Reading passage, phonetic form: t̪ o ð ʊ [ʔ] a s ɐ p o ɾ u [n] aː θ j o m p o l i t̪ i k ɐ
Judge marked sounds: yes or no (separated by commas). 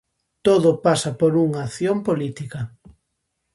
no, no